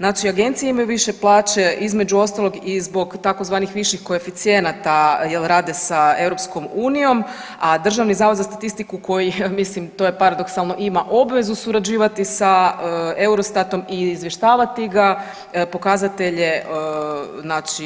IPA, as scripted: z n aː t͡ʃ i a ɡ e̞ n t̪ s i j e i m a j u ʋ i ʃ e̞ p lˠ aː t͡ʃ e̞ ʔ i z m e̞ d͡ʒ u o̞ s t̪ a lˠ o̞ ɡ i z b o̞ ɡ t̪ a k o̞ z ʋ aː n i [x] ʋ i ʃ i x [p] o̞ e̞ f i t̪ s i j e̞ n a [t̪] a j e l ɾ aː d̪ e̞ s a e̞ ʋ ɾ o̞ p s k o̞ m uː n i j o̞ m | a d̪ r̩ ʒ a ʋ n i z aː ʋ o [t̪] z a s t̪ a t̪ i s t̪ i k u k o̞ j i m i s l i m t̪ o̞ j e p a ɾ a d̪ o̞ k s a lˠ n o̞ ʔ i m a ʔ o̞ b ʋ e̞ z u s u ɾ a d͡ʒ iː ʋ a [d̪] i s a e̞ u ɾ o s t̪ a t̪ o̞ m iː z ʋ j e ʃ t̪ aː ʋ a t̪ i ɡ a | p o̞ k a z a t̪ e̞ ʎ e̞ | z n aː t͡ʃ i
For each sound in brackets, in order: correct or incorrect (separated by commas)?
correct, incorrect, correct, incorrect, incorrect